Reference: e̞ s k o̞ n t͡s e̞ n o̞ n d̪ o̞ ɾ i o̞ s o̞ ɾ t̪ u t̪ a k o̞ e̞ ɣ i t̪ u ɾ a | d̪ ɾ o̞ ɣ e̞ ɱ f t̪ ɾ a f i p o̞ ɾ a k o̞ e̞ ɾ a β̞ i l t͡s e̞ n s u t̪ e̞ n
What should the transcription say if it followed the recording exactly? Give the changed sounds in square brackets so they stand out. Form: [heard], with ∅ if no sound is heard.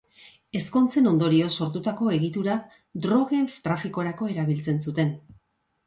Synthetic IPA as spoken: e̞ s k o̞ n t͡s e̞ n o̞ n d̪ o̞ ɾ i o̞ s o̞ ɾ t̪ u t̪ a k o̞ e̞ ɣ i t̪ u ɾ a | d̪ ɾ o̞ ɣ e̞ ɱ f t̪ ɾ a f i [k] o̞ ɾ a k o̞ e̞ ɾ a β̞ i l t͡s e̞ n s u t̪ e̞ n